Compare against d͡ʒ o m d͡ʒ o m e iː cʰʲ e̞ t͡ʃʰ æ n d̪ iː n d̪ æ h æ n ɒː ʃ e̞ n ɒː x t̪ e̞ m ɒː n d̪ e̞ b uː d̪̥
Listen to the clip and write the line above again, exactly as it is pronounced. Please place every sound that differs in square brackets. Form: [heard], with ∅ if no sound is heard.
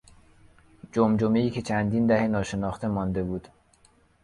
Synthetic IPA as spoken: d͡ʒ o m d͡ʒ o m e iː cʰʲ e̞ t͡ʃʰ æ n d̪ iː n d̪ æ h [e] n ɒː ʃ e̞ n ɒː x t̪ e̞ m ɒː n d̪ e̞ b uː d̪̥